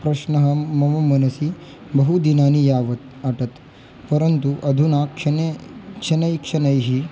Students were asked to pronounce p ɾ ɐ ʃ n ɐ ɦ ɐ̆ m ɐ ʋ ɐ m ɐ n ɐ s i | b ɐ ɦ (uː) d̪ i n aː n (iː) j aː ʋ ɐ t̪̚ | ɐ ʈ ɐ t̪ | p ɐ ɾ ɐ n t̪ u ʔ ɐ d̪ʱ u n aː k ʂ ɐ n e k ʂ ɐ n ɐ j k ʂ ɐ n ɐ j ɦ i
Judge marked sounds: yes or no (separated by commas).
no, no